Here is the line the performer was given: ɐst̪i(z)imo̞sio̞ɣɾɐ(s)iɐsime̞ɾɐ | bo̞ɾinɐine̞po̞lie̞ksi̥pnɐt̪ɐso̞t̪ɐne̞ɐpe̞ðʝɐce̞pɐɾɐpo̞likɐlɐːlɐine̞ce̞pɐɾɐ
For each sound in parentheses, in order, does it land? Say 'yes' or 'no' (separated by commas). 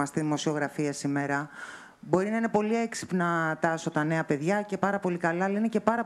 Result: no, no